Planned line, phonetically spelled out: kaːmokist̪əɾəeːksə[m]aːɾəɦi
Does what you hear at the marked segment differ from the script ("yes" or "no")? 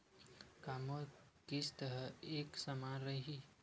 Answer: no